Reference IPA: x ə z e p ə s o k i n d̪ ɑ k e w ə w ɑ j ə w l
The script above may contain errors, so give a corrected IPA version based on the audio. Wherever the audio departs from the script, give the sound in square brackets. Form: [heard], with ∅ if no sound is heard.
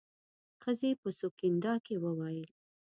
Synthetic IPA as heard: x ə z e p ə s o k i n d̪ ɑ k e w ə w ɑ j ə [∅] l